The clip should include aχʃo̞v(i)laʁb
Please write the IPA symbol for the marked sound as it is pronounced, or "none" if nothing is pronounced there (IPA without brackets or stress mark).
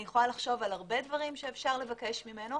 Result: a